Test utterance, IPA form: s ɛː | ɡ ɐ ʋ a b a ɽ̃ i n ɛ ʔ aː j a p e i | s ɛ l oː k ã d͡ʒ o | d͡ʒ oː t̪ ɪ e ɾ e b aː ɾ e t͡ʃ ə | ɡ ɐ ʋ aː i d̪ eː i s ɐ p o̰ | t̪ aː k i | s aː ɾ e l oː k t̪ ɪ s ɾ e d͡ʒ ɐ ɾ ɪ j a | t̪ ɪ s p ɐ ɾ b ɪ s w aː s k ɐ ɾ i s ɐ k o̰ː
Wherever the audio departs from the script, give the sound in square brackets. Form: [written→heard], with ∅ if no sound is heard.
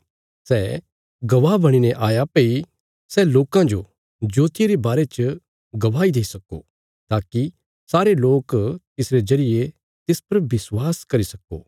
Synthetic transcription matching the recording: s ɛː | ɡ ɐ ʋ a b [a→ɐ] ɽ̃ i n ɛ ʔ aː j a p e i | s ɛ l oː k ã d͡ʒ o | d͡ʒ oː t̪ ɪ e ɾ e b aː ɾ e t͡ʃ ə | ɡ ɐ ʋ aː i d̪ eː i s ɐ [p→k] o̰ | t̪ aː k i | s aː ɾ e l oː k t̪ ɪ s ɾ e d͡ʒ ɐ ɾ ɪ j [a→e] | t̪ ɪ s p ɐ ɾ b ɪ s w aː s k ɐ ɾ i s ɐ k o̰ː